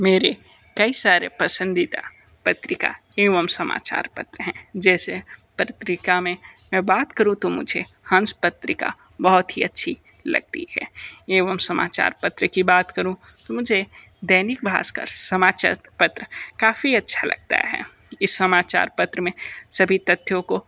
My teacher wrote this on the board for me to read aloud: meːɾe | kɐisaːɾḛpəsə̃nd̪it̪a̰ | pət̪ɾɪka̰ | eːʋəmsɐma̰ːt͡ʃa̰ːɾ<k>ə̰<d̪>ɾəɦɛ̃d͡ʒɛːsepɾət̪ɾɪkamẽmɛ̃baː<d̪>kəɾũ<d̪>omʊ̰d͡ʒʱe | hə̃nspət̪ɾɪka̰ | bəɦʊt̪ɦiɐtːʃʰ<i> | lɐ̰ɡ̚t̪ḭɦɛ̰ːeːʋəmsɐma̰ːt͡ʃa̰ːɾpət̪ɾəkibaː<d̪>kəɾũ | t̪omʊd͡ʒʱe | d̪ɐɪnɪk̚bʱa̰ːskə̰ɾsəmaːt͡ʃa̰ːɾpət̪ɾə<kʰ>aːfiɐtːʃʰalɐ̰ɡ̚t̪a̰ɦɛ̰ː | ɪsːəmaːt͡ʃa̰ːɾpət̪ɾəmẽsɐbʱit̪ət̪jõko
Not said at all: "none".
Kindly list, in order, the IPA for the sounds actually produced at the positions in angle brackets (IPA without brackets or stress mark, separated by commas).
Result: p, t̪, t̪, t̪, i, t̪, k